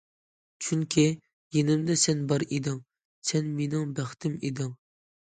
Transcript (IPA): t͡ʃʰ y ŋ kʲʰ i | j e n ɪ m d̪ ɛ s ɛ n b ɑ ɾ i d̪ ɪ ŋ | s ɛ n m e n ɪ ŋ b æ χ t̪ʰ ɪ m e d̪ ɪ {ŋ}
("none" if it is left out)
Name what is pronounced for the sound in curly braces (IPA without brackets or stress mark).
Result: ŋ